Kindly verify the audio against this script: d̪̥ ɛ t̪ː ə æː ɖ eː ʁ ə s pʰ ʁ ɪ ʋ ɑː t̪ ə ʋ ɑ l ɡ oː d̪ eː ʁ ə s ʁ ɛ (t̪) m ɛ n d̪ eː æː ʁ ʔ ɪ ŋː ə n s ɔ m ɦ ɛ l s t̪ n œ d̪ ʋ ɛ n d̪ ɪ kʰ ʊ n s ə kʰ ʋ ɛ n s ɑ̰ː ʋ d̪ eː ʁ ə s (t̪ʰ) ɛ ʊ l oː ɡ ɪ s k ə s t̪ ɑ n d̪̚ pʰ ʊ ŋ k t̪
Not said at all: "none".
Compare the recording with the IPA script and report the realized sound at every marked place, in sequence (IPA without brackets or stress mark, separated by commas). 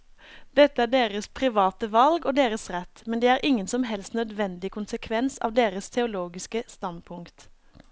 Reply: t̪, t̪ʰ